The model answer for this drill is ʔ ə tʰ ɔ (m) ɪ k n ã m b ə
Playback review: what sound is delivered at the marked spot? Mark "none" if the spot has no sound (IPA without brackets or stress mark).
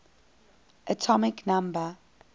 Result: m